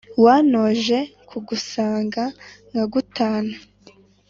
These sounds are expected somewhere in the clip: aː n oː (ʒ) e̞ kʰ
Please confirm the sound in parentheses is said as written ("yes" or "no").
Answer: yes